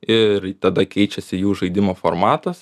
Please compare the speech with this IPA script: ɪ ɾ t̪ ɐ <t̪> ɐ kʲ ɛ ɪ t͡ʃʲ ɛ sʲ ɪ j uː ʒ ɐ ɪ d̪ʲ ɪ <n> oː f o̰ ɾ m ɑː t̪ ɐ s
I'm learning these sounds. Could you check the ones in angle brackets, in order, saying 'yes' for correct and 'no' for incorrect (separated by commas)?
no, no